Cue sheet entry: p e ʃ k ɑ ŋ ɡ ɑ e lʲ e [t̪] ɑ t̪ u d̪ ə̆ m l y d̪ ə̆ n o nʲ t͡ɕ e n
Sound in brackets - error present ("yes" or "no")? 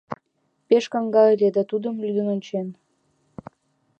yes